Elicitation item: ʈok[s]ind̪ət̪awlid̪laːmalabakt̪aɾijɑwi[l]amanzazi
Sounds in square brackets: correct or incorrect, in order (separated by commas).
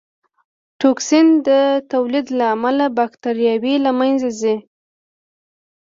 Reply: correct, correct